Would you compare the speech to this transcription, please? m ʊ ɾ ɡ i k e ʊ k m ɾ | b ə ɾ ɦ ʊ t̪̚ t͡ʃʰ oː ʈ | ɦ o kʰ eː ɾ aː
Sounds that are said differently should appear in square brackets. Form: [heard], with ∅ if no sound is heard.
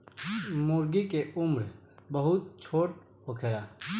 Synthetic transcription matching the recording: m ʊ ɾ ɡ i k e ʊ [∅] m ɾ | b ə [∅] ɦ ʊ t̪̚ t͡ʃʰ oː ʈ | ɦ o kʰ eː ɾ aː